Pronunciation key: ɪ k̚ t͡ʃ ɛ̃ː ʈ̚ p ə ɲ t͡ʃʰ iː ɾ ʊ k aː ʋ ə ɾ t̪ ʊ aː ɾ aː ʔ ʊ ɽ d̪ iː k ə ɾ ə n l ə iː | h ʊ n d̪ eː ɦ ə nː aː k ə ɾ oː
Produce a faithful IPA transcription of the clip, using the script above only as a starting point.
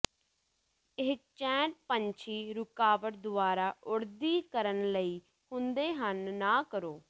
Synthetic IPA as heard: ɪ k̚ t͡ʃ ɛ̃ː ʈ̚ p ə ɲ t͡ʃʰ iː ɾ ʊ k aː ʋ ə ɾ d̪ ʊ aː ɾ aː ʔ ʊ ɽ d̪ iː k ə ɾ ə n l ə iː | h ʊ n d̪ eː ɦ ə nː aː k ə ɾ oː